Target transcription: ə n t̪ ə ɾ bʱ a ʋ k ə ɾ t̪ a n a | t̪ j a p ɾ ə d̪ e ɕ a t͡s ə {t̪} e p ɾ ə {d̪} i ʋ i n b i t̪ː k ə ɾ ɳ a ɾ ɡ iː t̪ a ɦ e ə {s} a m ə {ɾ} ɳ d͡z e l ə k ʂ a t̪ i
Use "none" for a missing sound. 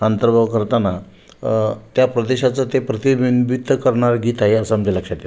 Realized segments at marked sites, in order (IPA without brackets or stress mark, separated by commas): t̪, t̪, s, none